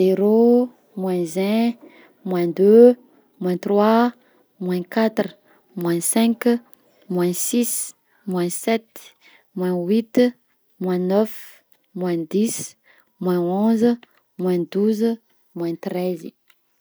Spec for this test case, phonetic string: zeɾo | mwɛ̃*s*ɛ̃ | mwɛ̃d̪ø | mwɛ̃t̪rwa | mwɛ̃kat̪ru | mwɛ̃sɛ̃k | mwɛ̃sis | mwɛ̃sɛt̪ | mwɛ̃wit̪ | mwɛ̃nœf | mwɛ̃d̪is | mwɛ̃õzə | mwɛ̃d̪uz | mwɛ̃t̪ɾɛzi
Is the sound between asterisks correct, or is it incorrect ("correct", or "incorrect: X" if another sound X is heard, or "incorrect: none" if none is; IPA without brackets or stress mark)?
incorrect: z